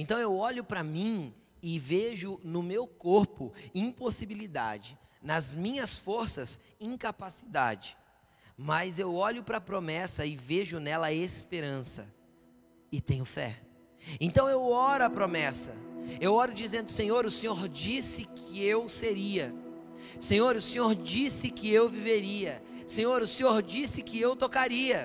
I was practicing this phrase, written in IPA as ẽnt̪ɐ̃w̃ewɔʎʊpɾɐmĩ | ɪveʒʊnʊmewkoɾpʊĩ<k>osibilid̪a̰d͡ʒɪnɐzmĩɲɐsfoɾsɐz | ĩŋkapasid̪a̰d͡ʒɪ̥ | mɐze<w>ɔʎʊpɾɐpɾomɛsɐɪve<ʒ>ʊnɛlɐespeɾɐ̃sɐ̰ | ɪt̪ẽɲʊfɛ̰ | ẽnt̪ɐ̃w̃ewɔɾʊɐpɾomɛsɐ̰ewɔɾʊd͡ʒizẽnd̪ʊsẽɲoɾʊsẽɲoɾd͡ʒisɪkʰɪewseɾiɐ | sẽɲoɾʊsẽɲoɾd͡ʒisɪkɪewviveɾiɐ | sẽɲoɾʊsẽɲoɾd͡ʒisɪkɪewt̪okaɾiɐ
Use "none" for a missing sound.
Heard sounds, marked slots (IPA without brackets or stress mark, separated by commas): p, w, ʒ